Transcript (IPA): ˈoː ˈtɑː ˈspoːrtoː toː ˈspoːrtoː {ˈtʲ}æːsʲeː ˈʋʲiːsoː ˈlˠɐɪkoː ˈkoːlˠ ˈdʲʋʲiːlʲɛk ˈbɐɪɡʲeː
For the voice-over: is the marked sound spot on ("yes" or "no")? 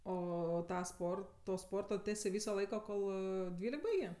yes